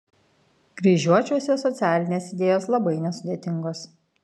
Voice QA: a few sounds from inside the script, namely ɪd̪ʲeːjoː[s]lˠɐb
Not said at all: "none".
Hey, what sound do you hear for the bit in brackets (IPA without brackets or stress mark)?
s